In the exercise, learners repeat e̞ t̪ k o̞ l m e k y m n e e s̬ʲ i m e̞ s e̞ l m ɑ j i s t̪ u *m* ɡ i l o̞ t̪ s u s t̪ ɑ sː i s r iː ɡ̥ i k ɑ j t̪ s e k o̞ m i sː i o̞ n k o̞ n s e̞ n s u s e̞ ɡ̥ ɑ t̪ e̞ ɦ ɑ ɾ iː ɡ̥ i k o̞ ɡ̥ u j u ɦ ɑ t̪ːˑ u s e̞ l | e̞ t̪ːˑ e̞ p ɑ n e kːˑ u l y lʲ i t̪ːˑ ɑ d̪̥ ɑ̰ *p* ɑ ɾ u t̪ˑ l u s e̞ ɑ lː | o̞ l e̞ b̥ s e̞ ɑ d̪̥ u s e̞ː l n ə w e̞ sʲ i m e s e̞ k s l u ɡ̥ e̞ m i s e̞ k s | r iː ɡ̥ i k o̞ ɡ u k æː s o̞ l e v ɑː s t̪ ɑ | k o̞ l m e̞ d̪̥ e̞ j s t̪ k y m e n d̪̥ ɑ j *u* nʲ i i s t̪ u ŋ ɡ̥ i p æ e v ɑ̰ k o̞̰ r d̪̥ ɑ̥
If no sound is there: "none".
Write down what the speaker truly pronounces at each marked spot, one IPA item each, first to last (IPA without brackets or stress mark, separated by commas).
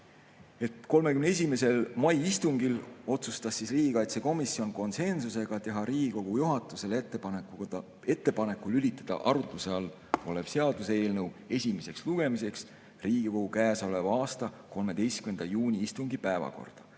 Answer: ŋ, ʔ, uː